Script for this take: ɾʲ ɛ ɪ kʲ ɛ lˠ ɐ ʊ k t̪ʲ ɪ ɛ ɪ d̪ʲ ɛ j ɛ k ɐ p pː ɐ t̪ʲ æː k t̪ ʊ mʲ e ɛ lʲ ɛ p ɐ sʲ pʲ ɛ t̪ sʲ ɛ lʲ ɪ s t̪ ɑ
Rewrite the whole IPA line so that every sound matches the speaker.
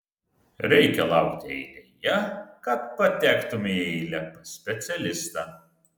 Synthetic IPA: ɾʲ ɛ ɪ kʲ ɛ lˠ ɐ ʊ k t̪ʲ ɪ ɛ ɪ d̪ʲ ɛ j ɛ k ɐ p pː ɐ t̪ʲ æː k t̪ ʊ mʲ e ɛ lʲ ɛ p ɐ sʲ pʲ ɛ t̪ sʲ ɛ lʲ ɪ s t̪ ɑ